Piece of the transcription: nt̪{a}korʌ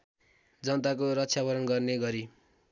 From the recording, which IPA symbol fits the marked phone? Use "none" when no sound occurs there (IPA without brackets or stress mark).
a